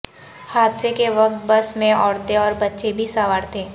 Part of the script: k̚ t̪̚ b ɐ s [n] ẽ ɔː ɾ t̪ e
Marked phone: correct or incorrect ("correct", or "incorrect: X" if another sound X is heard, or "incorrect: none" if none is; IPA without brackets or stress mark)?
incorrect: m